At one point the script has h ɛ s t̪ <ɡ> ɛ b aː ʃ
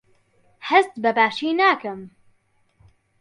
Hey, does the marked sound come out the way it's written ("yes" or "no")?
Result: no